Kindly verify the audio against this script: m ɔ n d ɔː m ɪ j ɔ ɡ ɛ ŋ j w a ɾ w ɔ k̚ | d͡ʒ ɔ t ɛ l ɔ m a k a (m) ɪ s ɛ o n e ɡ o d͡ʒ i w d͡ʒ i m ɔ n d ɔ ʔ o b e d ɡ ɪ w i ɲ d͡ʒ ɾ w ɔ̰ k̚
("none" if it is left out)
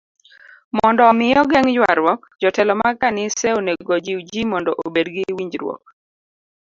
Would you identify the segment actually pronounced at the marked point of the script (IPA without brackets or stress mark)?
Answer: n